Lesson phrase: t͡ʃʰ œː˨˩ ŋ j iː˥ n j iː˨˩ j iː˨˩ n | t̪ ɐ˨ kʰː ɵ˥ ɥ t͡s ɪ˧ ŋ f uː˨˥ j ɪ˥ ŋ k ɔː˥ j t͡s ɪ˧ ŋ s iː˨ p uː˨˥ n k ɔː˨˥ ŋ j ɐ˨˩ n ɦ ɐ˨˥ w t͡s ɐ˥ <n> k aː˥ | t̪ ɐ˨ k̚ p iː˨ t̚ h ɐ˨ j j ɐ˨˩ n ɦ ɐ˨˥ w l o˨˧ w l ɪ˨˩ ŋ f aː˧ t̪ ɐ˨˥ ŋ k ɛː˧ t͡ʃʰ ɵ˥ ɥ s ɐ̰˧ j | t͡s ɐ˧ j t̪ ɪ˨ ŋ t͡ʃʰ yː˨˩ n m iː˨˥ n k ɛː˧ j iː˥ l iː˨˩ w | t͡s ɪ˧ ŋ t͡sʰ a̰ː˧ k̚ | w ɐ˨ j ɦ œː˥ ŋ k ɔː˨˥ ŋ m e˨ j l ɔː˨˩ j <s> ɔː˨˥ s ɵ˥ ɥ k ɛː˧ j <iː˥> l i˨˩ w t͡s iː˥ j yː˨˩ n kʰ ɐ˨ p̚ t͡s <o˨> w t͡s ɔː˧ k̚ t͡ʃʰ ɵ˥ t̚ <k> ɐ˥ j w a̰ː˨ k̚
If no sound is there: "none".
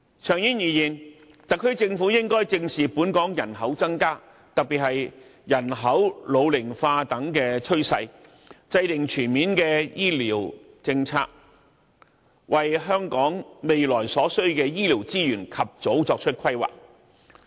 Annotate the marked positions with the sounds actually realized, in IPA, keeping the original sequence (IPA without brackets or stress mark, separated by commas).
ŋ, s, iː˥, o˨˥, kʰ